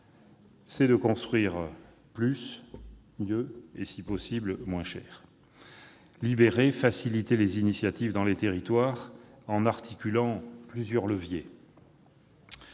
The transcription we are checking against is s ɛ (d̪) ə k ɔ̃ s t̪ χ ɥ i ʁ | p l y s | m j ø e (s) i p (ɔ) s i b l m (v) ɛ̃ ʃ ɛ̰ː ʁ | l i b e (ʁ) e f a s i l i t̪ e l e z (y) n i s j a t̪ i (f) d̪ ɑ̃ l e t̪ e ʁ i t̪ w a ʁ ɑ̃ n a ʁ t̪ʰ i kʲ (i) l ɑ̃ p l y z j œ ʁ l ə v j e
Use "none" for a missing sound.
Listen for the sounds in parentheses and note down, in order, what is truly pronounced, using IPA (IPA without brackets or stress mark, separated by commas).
d̪, s, ɔ, w, ʁ, i, v, y